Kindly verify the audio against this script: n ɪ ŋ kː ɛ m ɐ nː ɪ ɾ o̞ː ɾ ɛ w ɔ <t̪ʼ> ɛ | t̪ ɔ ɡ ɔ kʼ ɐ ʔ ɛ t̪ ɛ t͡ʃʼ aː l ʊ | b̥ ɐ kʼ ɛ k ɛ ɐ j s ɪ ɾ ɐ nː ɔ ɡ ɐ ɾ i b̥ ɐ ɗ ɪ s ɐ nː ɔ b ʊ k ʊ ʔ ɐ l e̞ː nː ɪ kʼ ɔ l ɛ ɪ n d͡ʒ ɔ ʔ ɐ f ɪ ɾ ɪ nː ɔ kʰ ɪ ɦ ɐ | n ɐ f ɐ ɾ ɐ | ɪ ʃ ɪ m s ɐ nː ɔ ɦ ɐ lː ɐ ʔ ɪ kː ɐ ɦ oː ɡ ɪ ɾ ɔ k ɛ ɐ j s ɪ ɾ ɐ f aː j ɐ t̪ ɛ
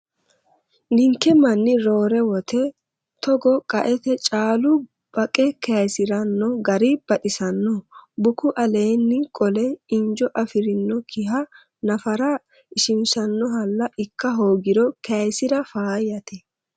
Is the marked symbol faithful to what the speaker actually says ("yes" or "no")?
no